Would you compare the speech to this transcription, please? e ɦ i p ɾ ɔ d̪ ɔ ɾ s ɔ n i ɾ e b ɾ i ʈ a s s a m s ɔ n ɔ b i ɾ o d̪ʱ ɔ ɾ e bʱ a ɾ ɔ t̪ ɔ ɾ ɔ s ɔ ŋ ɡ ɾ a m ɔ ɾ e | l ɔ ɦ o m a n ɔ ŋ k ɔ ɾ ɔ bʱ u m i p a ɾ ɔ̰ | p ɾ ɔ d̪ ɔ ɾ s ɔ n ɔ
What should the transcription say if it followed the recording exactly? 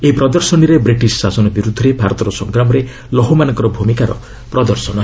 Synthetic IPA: e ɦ i p ɾ ɔ d̪ ɔ ɾ s ɔ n i ɾ e b ɾ i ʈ i s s a s ɔ n ɔ b i ɾ u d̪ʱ ɔ ɾ e bʱ a ɾ ɔ t̪ ɔ ɾ ɔ s ɔ ŋ ɡ ɾ a m ɔ ɾ e | l ɔ ɦ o m a n ɔ ŋ k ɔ ɾ ɔ bʱ u m i k a ɾ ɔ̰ | p ɾ ɔ d̪ ɔ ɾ s ɔ n ɔ